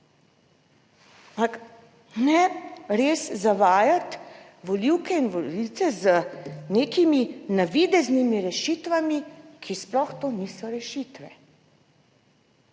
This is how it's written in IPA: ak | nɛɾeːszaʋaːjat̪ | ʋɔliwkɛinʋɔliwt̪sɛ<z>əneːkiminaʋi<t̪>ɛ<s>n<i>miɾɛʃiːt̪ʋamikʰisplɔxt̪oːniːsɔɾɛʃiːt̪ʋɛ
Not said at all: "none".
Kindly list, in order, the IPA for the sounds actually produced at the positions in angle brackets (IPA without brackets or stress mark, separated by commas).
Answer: z, d̪, z, i